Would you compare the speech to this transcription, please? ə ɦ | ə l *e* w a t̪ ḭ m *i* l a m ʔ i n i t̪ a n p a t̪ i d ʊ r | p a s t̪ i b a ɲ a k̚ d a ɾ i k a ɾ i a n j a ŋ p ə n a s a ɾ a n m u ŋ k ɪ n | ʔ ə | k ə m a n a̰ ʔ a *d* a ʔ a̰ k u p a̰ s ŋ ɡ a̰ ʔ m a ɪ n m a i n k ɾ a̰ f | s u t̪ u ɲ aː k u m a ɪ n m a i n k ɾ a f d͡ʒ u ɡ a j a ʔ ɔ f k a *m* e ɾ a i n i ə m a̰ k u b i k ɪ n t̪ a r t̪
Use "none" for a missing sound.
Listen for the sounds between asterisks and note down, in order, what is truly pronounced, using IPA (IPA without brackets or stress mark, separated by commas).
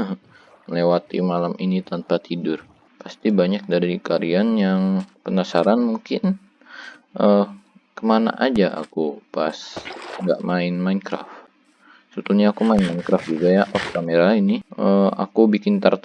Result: e, a, d͡ʒ, m